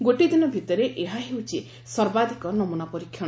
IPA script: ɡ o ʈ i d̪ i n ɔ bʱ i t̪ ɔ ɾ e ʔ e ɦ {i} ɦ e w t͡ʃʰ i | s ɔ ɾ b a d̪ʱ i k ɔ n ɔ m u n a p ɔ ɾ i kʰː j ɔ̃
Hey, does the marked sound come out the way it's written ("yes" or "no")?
no